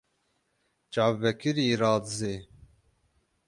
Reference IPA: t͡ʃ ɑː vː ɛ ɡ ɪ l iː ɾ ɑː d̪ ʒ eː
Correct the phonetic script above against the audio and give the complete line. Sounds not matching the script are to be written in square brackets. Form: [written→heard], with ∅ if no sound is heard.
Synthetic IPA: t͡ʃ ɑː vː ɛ [ɡ→k] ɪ [l→ɾ] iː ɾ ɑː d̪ [ʒ→z] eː